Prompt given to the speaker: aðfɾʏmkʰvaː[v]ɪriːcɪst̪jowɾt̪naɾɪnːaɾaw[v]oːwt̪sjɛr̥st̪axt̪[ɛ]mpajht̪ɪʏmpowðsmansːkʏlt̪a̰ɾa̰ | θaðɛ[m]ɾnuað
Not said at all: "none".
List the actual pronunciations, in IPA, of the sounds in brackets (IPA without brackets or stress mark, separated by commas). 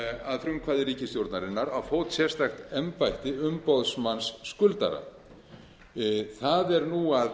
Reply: ð, f, ɛ, none